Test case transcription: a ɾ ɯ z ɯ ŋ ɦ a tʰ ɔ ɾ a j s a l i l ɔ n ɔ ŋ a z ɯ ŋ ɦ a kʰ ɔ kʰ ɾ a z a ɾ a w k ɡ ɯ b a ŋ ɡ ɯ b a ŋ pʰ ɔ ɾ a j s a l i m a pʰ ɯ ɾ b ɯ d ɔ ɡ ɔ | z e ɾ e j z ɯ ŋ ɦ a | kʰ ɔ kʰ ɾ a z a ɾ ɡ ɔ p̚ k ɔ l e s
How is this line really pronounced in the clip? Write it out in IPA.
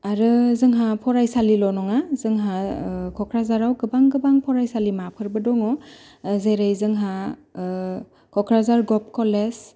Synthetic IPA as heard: a ɾ ɯ z ɯ ŋ ɦ a pʰ ɔ ɾ a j s a l i l ɔ n ɔ ŋ a z ɯ ŋ ɦ a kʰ ɔ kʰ ɾ a z a ɾ a w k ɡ ɯ b a ŋ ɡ ɯ b a ŋ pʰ ɔ ɾ a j s a l i m a pʰ ɯ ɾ b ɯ d ɔ ŋ ɔ | z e ɾ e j z ɯ ŋ ɦ a | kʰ ɔ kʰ ɾ a z a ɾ ɡ ɔ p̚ k ɔ l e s